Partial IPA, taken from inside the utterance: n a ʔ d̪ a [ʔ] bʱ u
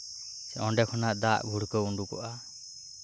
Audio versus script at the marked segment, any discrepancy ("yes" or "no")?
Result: no